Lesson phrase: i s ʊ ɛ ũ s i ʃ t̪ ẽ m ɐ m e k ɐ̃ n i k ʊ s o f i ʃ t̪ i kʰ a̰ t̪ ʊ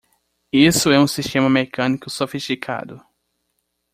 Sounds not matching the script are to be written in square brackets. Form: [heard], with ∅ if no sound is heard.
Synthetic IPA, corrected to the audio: i s ʊ ɛ ũ s i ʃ t̪ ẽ m ɐ m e k ɐ̃ n i k ʊ s o f i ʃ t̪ i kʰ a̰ [d̪] ʊ